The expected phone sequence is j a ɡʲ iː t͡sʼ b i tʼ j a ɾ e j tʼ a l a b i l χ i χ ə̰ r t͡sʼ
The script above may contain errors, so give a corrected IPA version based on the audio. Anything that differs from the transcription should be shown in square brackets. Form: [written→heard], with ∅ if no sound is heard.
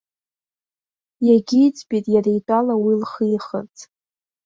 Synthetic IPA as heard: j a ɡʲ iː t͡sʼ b i tʼ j a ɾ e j tʼ a l a [b→w] i l χ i χ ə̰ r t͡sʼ